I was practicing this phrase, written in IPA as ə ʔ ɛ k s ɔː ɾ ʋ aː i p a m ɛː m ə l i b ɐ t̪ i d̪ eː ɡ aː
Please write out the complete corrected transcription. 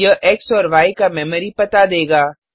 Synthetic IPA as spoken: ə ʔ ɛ k s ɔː ɾ ʋ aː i k a m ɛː m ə ɾ i p ɐ t̪ a d̪ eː ɡ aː